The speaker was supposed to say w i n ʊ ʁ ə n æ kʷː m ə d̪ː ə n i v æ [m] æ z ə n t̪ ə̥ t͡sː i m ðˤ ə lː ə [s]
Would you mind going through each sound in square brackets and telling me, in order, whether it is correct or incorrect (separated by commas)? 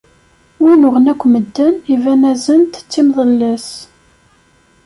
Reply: incorrect, correct